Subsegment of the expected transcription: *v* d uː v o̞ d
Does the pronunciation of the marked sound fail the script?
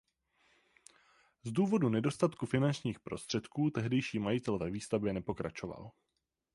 yes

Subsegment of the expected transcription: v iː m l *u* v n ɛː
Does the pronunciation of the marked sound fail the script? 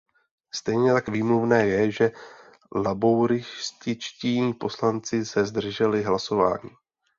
no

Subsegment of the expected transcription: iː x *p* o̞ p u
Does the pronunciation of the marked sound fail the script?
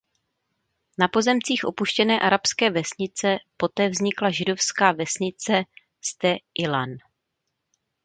yes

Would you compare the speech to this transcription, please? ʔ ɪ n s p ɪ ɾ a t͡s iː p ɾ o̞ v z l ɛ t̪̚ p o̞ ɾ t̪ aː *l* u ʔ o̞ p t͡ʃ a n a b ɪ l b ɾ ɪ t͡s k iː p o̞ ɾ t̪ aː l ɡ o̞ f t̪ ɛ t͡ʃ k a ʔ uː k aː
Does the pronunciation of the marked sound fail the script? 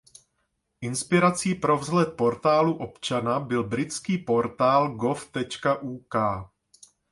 no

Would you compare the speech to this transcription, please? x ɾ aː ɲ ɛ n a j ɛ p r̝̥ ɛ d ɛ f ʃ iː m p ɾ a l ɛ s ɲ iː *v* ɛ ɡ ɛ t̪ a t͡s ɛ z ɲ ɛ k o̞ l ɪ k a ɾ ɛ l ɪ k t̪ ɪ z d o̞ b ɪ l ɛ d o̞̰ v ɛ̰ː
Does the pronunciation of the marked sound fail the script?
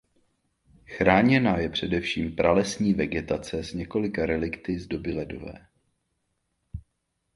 no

